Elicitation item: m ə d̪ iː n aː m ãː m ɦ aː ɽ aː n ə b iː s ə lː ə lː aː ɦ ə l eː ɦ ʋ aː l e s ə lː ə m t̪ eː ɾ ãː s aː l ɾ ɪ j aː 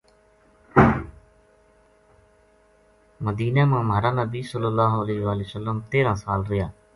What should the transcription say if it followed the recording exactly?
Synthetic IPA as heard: m ə d̪ iː n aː m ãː m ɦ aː ɾ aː n ə b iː s ə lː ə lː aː ɦ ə l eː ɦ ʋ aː l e s ə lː ə m t̪ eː ɾ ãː s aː l ɾ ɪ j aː